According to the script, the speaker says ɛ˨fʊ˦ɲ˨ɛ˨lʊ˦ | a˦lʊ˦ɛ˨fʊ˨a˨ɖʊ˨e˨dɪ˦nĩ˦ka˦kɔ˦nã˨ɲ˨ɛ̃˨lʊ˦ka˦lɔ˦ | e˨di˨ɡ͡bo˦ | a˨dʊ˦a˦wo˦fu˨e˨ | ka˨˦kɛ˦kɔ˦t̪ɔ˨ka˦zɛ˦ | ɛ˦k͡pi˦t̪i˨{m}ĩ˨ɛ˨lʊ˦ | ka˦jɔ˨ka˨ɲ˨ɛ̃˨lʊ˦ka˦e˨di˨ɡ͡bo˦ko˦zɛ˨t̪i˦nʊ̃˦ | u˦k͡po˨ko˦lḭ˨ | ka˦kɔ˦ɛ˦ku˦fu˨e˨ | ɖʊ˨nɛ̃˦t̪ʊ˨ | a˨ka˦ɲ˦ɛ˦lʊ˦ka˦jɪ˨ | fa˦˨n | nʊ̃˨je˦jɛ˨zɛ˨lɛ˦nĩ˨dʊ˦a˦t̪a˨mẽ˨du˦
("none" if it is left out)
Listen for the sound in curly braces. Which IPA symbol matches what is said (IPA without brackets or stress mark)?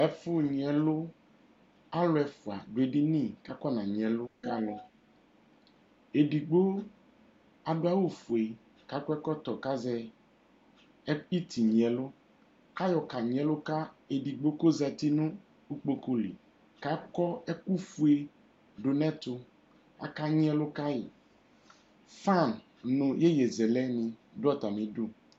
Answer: ɲ